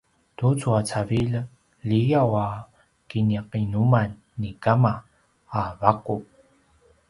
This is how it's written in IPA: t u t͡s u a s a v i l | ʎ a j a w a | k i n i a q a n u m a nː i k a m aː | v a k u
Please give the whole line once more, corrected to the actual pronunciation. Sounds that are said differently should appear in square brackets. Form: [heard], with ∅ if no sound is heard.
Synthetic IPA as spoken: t u t͡s u a [t͡s] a v i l | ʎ [i] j a w a | k i n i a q [i] n u m a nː i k a m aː | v a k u